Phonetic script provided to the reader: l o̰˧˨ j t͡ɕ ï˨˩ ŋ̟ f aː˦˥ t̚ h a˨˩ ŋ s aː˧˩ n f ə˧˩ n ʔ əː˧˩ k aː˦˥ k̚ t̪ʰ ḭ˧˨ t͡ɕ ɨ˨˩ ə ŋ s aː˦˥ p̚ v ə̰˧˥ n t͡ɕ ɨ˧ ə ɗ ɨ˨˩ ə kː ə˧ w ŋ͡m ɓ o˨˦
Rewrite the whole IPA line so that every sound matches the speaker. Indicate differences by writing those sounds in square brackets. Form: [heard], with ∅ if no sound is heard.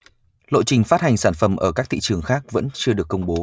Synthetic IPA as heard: l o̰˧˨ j t͡ɕ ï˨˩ ŋ̟ f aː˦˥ t̚ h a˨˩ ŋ s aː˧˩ n f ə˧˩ [m] ʔ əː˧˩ k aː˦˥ k̚ t̪ʰ ḭ˧˨ t͡ɕ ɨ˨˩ ə ŋ [x] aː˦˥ [k̚] v ə̰˧˥ n t͡ɕ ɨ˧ ə ɗ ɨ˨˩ ə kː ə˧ w ŋ͡m ɓ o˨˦